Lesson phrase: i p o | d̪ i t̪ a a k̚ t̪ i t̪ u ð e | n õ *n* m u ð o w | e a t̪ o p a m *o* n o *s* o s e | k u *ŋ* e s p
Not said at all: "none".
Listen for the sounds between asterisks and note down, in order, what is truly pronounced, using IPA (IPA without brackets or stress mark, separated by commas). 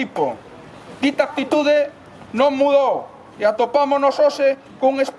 ŋ, o, s, ŋ